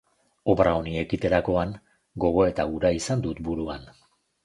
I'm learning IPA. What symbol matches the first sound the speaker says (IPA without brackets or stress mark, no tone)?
o̞